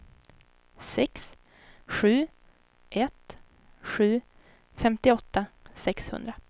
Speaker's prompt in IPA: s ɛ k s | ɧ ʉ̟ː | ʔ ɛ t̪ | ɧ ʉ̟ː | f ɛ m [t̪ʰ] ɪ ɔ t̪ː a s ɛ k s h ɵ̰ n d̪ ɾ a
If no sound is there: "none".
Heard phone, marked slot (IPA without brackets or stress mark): t̪